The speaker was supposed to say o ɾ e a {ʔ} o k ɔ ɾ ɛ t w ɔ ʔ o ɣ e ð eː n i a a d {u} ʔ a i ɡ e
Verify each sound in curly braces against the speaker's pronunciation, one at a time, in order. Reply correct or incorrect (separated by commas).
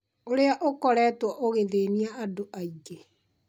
correct, incorrect